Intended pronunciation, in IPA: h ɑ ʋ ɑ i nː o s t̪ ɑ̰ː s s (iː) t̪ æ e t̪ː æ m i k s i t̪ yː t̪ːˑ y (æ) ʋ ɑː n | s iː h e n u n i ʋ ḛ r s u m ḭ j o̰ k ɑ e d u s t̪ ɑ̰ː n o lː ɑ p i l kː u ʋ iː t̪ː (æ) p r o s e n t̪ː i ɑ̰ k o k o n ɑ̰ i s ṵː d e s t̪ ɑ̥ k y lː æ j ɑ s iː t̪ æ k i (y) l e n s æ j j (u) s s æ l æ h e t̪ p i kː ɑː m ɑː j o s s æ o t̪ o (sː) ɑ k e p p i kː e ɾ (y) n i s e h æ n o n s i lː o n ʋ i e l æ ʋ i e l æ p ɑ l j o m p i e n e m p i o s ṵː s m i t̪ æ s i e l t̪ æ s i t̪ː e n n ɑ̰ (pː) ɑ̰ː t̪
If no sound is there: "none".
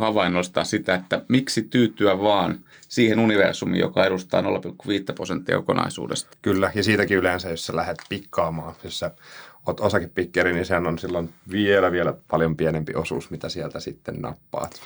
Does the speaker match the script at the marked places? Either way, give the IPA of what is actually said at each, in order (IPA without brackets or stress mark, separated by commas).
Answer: i, æ, æ, y, o, s, i, pː